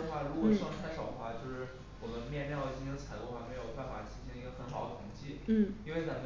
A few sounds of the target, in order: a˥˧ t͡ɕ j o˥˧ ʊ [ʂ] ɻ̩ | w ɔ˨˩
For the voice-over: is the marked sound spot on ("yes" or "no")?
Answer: yes